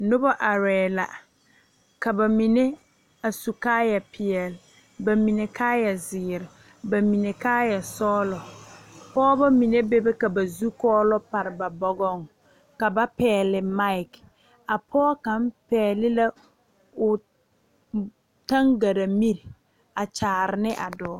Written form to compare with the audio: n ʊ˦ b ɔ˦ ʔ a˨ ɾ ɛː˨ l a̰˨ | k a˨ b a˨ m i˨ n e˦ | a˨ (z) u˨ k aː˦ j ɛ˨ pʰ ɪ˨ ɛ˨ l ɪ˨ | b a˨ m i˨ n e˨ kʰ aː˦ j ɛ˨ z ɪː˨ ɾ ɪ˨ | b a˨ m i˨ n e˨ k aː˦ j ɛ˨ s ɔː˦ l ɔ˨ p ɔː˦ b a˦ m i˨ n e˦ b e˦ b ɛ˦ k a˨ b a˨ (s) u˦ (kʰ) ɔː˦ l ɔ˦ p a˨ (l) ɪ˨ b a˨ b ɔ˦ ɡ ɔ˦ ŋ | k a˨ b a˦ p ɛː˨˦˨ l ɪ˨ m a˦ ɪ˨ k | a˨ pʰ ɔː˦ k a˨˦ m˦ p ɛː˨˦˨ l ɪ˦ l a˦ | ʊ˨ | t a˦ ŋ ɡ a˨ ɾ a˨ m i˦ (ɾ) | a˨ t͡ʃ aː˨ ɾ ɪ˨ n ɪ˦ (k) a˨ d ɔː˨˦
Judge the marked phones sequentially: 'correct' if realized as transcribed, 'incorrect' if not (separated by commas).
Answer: incorrect, incorrect, incorrect, incorrect, correct, incorrect